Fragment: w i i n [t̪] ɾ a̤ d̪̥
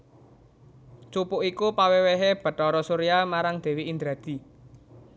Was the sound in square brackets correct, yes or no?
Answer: no